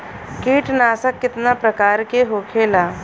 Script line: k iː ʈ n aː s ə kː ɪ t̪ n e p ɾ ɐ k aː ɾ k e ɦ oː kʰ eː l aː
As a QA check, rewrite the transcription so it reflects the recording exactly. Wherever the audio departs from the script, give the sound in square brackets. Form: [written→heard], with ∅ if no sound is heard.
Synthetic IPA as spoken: k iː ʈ n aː s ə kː ɪ t̪ n [e→a] p ɾ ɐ k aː ɾ k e ɦ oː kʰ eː l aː